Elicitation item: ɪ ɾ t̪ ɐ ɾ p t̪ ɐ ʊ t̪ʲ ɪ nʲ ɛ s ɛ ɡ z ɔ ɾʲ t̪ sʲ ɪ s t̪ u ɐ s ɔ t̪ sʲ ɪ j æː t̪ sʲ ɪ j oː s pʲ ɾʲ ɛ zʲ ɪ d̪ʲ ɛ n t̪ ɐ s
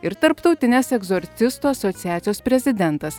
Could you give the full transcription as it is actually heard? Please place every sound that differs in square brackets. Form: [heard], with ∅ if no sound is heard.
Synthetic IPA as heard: ɪ ɾ t̪ ɐ ɾ p t̪ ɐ ʊ t̪ʲ ɪ nʲ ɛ s ɛ ɡ z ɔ ɾʲ t̪ sʲ ɪ s t̪ u ɐ s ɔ t̪ sʲ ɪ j æː t̪ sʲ ɪ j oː s pʲ ɾʲ ɛ zʲ ɪ d̪ʲ ɛ n t̪ ɐ s